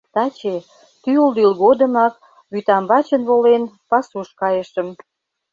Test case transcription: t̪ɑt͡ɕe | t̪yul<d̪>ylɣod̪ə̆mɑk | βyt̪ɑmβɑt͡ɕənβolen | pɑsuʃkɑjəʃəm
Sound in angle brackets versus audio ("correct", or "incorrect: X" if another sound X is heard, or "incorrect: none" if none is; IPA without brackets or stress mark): correct